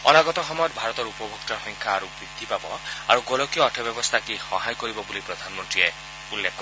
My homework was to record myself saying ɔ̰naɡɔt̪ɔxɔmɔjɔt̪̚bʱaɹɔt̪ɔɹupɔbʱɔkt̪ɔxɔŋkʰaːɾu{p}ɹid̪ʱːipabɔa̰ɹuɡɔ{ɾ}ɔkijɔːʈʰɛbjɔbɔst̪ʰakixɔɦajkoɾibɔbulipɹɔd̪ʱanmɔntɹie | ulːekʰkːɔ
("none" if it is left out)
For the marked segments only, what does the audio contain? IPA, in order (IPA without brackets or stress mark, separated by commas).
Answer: b, l